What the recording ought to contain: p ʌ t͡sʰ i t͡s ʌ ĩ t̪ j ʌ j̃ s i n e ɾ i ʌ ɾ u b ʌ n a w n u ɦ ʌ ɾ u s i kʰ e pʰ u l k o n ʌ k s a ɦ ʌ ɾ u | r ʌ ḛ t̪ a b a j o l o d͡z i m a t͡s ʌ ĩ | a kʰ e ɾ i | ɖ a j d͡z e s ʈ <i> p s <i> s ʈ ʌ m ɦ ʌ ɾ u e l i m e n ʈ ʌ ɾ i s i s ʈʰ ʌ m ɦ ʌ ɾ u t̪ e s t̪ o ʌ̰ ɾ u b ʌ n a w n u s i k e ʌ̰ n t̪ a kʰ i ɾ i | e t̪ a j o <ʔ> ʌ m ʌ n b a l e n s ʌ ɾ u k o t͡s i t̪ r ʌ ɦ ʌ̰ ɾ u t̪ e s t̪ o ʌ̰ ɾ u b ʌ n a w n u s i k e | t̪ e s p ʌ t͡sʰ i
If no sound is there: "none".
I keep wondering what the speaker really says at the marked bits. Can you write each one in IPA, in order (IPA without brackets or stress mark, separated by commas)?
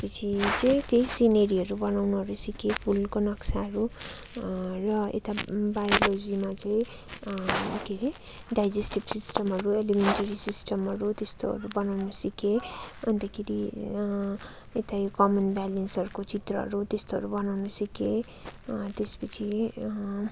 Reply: i, i, k